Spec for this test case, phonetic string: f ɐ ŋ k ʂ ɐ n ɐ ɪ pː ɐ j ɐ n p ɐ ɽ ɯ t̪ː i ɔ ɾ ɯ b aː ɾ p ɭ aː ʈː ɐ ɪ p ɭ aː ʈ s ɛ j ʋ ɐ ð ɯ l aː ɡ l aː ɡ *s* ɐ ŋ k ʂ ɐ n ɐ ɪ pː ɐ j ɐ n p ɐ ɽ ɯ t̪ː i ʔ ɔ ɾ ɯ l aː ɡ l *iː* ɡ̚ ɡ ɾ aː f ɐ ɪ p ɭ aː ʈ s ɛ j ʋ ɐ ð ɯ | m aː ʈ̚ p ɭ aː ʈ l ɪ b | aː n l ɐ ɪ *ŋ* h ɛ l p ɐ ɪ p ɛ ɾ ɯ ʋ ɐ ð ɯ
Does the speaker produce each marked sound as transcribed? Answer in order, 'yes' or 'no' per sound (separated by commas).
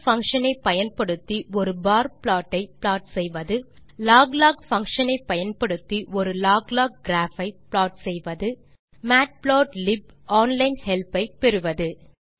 no, no, no